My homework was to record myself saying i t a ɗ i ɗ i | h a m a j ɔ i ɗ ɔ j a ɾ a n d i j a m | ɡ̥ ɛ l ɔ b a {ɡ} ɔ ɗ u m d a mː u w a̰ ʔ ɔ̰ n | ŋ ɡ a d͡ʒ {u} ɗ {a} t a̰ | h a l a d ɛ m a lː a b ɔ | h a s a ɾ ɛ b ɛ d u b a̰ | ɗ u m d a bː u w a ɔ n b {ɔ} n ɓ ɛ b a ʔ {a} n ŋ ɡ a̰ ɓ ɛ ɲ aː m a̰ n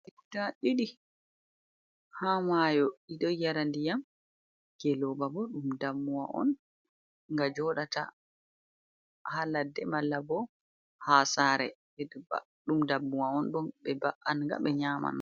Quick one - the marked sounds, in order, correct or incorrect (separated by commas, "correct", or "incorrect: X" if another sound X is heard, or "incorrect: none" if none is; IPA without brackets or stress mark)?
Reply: incorrect: b, incorrect: ɔ, correct, correct, correct